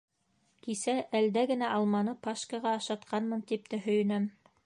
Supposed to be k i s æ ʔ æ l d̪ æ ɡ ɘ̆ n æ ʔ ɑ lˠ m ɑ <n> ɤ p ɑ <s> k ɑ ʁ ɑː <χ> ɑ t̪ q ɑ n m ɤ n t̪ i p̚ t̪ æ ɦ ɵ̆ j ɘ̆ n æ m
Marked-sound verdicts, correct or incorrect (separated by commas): correct, incorrect, incorrect